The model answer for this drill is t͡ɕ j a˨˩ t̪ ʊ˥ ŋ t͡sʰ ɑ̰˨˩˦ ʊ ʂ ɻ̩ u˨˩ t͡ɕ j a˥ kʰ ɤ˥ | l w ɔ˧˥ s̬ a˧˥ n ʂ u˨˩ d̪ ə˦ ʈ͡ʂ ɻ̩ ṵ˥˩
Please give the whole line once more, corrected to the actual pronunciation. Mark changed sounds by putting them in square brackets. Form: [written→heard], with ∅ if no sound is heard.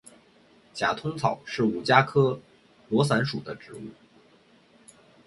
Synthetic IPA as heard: t͡ɕ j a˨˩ [t̪→t̪ʰ] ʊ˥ ŋ t͡sʰ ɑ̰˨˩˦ ʊ ʂ ɻ̩ u˨˩ t͡ɕ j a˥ kʰ ɤ˥ | l w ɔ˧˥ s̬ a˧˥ n ʂ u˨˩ d̪ ə˦ ʈ͡ʂ ɻ̩ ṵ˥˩